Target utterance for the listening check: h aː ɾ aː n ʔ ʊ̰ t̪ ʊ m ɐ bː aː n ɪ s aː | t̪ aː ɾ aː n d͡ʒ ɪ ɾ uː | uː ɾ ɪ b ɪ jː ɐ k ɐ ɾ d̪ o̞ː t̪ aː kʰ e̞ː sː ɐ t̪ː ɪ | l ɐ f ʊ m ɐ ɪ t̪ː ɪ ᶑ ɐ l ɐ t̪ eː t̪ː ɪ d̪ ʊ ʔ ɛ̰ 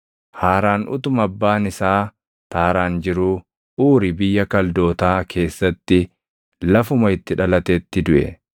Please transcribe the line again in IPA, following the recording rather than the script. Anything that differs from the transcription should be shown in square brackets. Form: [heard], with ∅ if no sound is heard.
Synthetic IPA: h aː ɾ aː n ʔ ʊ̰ t̪ ʊ m ɐ bː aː n ɪ s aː | t̪ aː ɾ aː n d͡ʒ ɪ ɾ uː | uː ɾ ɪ b ɪ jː ɐ k ɐ [l] d̪ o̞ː t̪ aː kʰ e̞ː sː ɐ t̪ː ɪ | l ɐ f ʊ m ɐ ɪ t̪ː ɪ ᶑ ɐ l ɐ t̪ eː t̪ː ɪ d̪ ʊ ʔ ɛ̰

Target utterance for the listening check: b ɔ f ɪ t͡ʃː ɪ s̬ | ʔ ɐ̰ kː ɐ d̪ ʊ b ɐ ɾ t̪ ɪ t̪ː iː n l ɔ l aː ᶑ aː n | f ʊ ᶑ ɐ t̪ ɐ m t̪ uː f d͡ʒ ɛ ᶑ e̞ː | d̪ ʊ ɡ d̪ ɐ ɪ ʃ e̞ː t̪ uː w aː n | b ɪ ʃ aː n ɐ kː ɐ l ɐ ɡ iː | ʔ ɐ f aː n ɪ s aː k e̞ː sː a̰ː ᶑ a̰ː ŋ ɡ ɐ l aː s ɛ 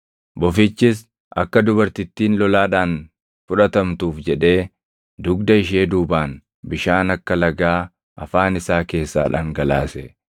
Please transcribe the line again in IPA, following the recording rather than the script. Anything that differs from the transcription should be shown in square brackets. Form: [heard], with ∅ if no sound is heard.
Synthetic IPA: b ɔ f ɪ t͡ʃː ɪ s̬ | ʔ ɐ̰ kː ɐ d̪ ʊ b ɐ ɾ t̪ ɪ t̪ː iː n l ɔ l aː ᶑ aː n | f ʊ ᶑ ɐ t̪ ɐ m t̪ uː f d͡ʒ ɛ ᶑ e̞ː | d̪ ʊ ɡ d̪ ɐ ɪ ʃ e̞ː [d̪] uː [b] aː n | b ɪ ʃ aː n ɐ kː ɐ l ɐ ɡ [aː] | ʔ ɐ f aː n ɪ s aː k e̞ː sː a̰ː ᶑ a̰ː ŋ ɡ ɐ l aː s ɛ

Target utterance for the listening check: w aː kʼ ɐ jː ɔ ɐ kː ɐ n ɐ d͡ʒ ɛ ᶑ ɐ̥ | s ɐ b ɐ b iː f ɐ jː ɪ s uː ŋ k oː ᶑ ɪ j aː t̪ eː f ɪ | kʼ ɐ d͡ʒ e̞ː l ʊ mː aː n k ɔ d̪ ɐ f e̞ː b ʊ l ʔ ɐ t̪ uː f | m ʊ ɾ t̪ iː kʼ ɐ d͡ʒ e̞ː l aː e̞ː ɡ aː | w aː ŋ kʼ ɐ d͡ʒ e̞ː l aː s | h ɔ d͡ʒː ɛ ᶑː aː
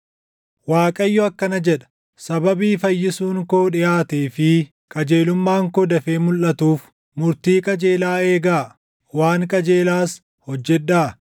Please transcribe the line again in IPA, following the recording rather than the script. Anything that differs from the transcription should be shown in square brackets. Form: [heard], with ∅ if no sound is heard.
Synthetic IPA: w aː kʼ ɐ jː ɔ ɐ kː ɐ n ɐ d͡ʒ ɛ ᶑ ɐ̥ | s ɐ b ɐ b iː f ɐ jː ɪ s uː ŋ k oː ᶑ ɪ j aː t̪ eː f ɪ | kʼ ɐ d͡ʒ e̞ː l ʊ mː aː [ŋ] k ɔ d̪ ɐ f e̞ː [m] ʊ l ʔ ɐ t̪ uː f | m ʊ ɾ t̪ iː kʼ ɐ d͡ʒ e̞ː l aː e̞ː ɡ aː | w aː ŋ kʼ ɐ d͡ʒ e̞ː l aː s | h ɔ d͡ʒː ɛ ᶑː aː

